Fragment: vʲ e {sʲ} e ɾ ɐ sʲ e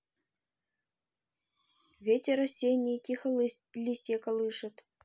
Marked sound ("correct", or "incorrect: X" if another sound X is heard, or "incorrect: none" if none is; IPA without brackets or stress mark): incorrect: tʲ